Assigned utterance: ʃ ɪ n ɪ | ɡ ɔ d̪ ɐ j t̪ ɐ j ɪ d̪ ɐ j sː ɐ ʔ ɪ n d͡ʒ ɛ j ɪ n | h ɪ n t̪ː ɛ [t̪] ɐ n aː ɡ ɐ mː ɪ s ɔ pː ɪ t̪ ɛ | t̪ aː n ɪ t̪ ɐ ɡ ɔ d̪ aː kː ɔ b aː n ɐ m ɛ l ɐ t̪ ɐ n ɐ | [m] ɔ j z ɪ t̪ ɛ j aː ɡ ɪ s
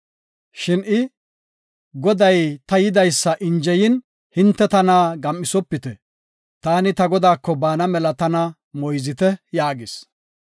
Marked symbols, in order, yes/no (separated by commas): yes, yes